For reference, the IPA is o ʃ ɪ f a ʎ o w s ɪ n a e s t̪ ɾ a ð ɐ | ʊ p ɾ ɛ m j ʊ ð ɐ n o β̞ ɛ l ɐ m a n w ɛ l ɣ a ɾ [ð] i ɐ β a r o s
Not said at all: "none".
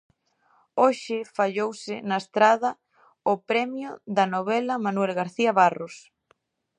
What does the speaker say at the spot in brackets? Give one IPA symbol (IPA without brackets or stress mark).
θ